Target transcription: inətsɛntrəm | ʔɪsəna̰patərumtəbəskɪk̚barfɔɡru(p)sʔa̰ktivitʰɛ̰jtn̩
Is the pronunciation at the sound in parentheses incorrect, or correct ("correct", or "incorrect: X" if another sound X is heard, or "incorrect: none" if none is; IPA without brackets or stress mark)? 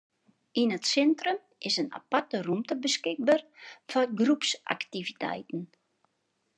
correct